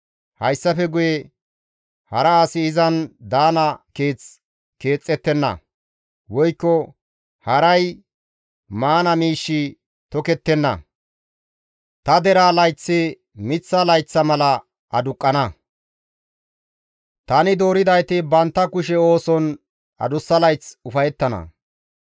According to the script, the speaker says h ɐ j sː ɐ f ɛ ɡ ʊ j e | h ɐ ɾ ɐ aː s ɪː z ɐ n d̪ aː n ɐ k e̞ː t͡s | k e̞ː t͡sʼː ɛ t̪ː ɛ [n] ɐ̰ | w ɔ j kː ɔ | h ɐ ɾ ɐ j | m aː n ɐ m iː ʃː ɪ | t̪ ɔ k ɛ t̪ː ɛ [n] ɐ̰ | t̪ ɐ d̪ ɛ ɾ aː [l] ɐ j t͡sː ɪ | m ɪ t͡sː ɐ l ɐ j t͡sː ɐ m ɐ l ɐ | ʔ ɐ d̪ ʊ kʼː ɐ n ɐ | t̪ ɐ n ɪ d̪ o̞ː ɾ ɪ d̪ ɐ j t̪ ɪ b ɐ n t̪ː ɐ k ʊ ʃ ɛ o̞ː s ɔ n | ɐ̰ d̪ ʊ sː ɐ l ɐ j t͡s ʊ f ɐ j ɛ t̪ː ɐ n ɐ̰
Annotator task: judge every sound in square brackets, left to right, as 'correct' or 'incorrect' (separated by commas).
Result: incorrect, incorrect, correct